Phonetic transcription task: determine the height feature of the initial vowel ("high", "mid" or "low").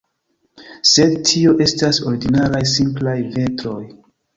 mid